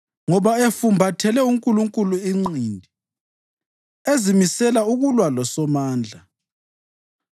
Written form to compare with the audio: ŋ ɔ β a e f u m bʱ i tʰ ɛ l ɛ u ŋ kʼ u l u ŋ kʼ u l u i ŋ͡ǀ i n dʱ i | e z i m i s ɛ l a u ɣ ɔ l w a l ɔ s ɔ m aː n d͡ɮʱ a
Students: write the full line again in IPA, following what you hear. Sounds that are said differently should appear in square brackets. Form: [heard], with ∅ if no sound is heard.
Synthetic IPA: ŋ ɔ β a e f u m bʱ [a] tʰ ɛ l ɛ u ŋ kʼ u l u ŋ kʼ u l u i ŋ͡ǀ i n dʱ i | e z i m i s ɛ l a u ɣ [u] l w a l ɔ s ɔ m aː n d͡ɮʱ a